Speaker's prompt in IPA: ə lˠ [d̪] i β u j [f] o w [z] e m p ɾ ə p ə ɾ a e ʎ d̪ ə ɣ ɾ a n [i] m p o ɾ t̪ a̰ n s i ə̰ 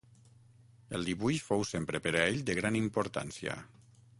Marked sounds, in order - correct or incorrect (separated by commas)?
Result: correct, correct, incorrect, correct